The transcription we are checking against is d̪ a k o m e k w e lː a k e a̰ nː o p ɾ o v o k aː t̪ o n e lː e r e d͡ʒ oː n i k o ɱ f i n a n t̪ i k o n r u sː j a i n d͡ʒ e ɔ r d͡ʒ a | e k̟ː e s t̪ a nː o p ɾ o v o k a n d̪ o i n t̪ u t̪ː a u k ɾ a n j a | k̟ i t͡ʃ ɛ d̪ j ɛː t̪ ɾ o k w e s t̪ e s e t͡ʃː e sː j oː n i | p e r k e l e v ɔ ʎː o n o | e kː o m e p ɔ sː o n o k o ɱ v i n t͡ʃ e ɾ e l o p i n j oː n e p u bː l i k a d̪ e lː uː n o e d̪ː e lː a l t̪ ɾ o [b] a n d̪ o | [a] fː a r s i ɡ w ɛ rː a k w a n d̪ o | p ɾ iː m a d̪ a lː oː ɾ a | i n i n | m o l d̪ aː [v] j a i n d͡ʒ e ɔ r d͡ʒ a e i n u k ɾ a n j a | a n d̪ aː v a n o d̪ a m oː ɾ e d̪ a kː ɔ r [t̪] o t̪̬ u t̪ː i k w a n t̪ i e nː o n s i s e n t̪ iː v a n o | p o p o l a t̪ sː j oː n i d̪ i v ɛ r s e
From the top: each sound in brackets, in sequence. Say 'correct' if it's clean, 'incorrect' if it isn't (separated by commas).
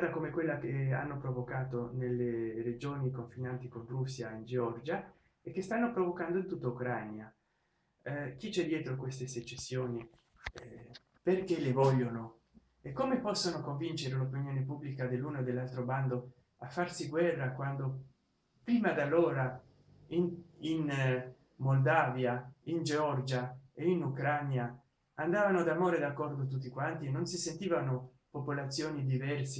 correct, correct, correct, incorrect